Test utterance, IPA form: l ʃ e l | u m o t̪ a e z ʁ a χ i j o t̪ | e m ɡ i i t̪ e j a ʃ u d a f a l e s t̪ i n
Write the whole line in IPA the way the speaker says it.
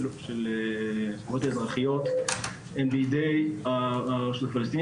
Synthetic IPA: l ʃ e l | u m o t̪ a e z ʁ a χ i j o t̪ | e m b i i d̪ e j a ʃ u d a f a l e s t̪ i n